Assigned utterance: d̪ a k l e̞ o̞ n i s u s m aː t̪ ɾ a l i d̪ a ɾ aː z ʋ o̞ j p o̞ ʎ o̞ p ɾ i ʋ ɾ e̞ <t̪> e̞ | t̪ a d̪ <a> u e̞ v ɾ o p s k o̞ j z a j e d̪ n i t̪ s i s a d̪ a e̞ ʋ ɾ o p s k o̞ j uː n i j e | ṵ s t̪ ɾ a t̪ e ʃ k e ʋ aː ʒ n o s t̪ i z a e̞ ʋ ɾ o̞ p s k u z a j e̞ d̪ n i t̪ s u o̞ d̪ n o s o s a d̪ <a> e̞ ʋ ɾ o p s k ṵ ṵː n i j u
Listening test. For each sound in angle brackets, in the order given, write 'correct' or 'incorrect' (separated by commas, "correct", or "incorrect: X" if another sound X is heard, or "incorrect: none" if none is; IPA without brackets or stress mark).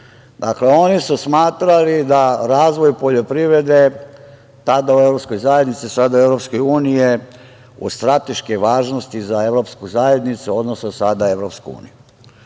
incorrect: d̪, correct, correct